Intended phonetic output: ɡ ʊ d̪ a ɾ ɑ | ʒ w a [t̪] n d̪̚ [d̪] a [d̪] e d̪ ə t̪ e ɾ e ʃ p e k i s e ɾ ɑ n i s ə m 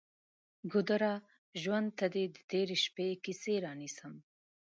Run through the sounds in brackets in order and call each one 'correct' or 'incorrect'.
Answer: incorrect: none, incorrect: t̪, correct

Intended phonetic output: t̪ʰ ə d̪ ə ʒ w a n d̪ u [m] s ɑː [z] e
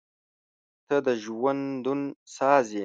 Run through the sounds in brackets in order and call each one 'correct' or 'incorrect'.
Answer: incorrect: n, correct

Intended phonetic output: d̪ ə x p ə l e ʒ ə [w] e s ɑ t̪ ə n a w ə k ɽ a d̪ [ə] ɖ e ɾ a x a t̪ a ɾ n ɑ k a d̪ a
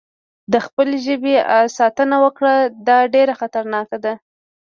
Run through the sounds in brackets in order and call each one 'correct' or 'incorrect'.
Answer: incorrect: b, incorrect: ɑ

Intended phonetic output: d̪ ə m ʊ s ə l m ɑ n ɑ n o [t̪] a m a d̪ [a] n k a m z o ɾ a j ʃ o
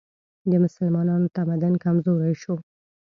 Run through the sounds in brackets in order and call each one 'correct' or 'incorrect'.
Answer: correct, correct

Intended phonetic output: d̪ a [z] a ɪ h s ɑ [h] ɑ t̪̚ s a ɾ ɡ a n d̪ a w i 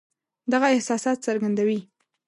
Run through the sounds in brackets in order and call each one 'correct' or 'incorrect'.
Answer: incorrect: ɣ, incorrect: s

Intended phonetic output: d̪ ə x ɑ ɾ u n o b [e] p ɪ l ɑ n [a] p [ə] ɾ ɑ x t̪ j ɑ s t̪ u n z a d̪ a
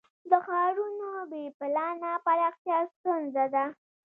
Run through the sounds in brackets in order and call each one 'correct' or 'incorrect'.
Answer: correct, correct, incorrect: a

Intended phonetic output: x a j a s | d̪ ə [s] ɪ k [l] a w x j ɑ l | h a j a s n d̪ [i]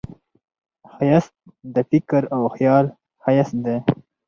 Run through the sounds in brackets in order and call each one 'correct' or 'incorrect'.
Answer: incorrect: f, incorrect: ɾ, incorrect: e

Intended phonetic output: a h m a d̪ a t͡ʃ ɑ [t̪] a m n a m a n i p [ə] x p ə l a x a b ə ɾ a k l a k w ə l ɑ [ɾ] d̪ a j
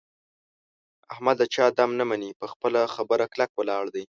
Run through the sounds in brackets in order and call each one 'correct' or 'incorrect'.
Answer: incorrect: d̪, correct, incorrect: ɽ

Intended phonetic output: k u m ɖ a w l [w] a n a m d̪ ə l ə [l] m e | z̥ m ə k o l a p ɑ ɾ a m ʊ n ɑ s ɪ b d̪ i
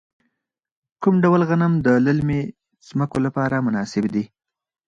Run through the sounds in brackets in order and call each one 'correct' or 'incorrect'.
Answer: incorrect: ɣ, correct

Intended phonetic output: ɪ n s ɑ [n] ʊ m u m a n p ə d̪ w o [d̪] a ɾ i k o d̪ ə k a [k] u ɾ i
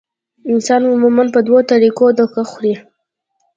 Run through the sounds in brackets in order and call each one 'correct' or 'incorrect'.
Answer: correct, incorrect: t̪, incorrect: x

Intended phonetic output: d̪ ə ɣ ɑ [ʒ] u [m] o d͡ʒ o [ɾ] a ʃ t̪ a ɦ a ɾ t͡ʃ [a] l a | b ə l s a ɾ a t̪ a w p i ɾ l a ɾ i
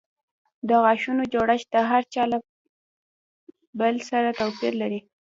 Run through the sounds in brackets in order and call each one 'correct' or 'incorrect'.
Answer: incorrect: ʃ, incorrect: n, incorrect: ɽ, incorrect: ɑ

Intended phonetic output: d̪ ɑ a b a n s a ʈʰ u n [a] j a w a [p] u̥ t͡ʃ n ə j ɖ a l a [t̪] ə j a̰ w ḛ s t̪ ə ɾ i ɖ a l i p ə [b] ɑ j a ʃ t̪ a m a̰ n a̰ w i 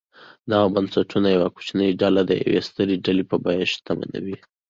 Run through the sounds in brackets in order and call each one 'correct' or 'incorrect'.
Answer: correct, incorrect: k, incorrect: d̪, correct

